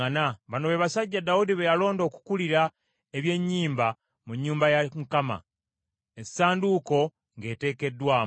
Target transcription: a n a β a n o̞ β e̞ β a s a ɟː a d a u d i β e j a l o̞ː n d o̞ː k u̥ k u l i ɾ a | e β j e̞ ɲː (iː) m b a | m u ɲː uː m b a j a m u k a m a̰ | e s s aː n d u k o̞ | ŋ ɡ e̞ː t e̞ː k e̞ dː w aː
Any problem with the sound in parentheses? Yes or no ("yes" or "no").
no